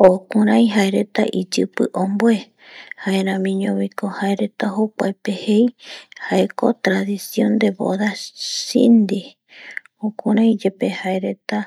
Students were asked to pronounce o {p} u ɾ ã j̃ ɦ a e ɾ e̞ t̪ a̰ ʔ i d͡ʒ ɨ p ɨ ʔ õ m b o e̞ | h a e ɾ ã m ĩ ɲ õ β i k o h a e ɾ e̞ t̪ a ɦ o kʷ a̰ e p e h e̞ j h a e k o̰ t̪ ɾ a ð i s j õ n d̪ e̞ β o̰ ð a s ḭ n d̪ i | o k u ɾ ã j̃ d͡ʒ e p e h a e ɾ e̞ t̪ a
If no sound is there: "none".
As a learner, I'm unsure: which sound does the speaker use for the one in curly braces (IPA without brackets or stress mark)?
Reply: k